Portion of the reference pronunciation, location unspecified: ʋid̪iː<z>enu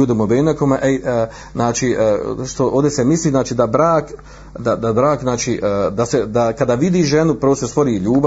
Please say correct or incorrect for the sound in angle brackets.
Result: incorrect